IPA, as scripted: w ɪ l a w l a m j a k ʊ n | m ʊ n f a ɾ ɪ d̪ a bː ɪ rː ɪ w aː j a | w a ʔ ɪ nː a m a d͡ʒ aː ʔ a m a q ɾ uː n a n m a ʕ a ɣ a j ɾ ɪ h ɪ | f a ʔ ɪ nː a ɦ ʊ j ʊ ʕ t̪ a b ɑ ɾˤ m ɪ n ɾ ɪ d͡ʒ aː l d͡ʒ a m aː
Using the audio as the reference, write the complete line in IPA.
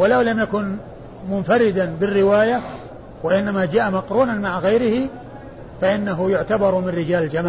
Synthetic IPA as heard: w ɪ l a w l a m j a k ʊ n | m ʊ n f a ɾ ɪ d̪ a b ɪ rː ɪ w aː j a | w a ʔ ɪ nː a m a d͡ʒ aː ʔ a m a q ɾ uː n a n m a ʕ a ɣ a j ɾ ɪ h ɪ | f a ʔ ɪ nː a ɦ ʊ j ʊ ʕ t̪ a b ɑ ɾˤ m ɪ n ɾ ɪ d͡ʒ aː l d͡ʒ a m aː